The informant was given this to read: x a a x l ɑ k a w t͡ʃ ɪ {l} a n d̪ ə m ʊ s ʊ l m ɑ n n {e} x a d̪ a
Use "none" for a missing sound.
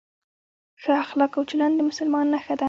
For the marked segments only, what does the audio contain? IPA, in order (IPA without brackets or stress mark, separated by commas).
l, a